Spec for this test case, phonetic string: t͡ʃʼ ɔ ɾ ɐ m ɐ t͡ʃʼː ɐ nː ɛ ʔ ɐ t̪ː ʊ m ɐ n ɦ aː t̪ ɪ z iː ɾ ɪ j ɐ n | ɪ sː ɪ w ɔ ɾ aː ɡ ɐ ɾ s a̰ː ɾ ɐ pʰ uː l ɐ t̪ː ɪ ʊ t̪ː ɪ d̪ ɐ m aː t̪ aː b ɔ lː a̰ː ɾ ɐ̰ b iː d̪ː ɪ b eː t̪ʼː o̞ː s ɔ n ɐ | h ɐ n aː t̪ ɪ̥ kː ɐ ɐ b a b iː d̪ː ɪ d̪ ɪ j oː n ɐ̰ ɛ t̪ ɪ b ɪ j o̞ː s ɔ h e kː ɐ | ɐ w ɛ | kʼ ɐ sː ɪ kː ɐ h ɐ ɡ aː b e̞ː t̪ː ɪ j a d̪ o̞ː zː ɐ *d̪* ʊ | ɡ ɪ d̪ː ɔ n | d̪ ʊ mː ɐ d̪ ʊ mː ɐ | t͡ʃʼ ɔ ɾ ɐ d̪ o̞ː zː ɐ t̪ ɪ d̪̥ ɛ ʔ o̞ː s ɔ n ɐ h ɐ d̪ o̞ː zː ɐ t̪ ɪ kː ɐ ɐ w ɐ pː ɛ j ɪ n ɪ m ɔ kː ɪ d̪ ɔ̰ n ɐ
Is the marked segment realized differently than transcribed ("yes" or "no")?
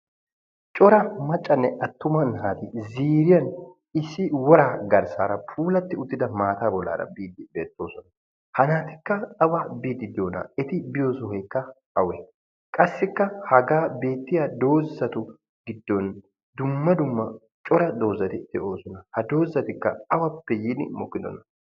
yes